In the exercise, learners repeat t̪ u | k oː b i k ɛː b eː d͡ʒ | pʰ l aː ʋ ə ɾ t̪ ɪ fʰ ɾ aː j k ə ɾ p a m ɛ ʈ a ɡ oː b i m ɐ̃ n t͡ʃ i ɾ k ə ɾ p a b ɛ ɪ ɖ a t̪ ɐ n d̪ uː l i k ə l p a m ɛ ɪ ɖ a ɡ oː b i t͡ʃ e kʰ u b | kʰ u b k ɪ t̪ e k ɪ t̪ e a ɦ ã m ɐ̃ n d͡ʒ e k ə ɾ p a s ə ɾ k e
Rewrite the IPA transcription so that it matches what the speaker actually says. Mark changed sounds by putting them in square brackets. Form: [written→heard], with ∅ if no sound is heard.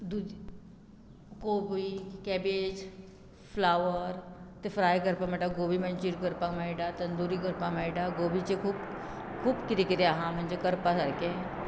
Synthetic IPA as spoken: [t̪→d̪] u | k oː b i k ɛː b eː d͡ʒ | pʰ l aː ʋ ə ɾ t̪ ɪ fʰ ɾ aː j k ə ɾ p a m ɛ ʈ a ɡ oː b i m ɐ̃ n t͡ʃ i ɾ k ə ɾ p a [b→m] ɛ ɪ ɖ a t̪ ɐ n d̪ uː [l→ɾ] i k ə [l→ɾ] p a m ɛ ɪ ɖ a ɡ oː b i t͡ʃ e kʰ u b | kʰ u b k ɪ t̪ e k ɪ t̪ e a ɦ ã m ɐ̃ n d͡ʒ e k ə ɾ p a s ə ɾ k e